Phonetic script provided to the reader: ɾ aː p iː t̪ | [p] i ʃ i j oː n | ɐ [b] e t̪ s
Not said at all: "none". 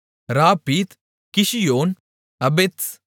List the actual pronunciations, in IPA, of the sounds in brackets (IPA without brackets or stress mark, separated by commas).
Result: k, b